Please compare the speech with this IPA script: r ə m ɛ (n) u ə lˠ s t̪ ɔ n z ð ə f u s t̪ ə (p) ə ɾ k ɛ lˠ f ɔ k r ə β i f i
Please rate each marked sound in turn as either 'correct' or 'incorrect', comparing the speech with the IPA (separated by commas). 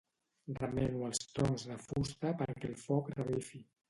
correct, correct